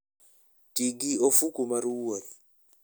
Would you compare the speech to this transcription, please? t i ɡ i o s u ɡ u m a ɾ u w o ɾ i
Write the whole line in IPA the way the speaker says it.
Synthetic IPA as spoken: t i ɡ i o f u k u m a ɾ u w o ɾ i